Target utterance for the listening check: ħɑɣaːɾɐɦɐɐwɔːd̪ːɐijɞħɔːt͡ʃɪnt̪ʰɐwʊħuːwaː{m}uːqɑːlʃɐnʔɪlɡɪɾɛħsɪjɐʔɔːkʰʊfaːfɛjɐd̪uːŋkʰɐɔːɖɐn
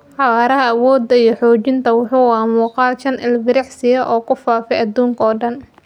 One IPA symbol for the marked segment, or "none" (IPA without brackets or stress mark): m